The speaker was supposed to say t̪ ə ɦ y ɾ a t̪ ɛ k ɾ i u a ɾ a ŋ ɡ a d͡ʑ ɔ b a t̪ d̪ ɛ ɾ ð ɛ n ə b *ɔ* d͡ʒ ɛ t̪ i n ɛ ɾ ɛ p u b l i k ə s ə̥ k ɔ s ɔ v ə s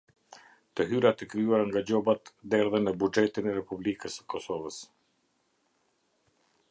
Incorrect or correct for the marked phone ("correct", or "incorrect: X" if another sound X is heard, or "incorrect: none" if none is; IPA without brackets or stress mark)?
incorrect: u